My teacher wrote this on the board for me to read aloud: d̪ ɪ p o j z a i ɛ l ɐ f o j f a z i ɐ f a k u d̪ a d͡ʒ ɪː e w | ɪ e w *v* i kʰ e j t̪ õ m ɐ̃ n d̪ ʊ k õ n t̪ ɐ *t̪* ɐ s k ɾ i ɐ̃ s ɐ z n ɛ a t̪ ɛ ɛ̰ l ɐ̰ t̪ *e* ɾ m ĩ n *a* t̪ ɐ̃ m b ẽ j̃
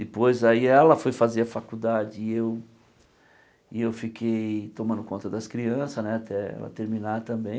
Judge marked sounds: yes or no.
no, no, yes, yes

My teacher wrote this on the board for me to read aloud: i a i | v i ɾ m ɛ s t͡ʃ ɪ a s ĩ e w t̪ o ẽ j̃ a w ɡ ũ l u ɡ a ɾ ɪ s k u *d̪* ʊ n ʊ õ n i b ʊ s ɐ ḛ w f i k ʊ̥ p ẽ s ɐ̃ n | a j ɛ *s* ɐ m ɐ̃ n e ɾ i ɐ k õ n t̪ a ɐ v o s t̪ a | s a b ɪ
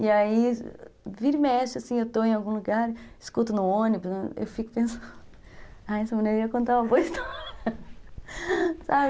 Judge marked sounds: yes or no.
no, yes

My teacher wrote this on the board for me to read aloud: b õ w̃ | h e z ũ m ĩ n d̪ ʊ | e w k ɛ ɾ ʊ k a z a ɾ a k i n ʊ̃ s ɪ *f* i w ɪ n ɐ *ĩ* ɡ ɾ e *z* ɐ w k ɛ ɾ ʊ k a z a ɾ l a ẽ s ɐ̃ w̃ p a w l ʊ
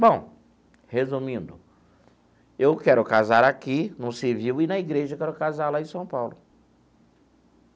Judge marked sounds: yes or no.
no, no, no

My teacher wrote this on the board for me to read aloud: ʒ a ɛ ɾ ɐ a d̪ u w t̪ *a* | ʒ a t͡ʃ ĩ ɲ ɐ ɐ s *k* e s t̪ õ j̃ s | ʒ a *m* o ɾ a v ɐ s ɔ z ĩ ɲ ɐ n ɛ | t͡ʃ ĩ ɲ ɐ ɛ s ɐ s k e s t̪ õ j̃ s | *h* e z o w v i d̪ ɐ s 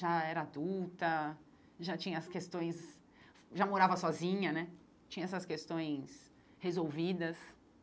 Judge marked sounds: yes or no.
no, yes, yes, yes

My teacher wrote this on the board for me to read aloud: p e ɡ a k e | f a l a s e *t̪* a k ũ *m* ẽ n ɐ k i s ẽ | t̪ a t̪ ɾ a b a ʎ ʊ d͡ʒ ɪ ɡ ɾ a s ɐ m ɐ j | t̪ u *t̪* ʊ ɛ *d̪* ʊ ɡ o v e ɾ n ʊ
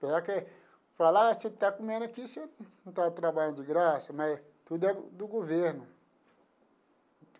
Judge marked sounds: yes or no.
yes, yes, no, yes

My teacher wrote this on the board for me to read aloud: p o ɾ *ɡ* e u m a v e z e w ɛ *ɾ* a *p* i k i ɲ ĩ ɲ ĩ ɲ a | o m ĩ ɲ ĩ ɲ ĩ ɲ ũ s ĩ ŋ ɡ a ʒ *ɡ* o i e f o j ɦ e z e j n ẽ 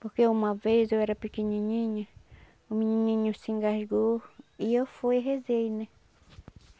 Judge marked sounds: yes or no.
no, yes, yes, yes

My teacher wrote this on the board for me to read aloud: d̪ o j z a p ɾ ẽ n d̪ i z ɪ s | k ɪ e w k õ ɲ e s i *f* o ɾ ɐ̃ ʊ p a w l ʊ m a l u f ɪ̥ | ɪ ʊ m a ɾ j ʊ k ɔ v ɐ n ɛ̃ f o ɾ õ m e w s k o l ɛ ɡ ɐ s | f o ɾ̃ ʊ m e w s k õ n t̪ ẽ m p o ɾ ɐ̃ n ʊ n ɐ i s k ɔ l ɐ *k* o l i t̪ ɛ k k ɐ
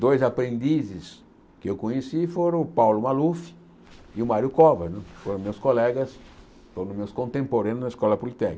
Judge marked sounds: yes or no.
yes, no

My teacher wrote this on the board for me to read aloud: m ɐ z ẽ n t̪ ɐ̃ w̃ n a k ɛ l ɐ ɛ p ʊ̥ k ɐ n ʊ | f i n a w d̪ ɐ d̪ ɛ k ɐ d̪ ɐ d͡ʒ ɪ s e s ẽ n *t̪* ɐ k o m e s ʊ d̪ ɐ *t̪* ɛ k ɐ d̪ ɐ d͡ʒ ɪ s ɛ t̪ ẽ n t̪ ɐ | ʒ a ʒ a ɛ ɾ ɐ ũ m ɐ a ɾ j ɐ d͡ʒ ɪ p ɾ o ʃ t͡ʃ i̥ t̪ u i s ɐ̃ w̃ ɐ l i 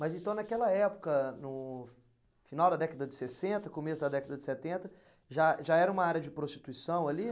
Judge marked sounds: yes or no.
yes, no

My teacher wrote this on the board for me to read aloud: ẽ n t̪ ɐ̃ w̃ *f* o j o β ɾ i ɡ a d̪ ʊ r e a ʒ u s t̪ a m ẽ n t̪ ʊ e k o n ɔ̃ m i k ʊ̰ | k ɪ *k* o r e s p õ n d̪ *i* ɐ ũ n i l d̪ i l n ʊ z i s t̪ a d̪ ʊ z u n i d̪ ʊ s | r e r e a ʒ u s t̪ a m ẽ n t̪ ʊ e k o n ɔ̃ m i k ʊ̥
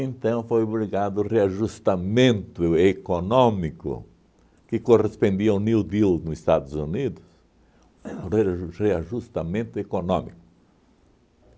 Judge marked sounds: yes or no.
yes, yes, yes

